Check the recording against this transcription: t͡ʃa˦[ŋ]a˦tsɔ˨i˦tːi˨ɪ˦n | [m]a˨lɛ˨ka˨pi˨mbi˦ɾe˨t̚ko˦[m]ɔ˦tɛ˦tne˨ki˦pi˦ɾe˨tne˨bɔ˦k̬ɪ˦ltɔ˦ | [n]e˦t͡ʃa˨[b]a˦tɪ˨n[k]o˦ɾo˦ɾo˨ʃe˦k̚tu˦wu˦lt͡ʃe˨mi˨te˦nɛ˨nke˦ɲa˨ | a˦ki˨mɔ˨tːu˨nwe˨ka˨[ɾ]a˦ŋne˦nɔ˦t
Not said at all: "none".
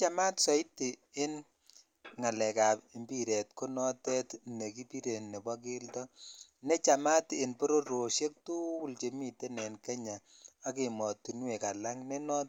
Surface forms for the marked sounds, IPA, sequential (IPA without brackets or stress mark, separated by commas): m, ŋ, n, n, m, p, l